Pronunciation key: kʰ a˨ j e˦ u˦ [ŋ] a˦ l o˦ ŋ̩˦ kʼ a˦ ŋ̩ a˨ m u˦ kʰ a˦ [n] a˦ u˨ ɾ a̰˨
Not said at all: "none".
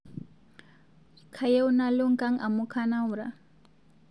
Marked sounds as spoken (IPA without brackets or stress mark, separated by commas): n, n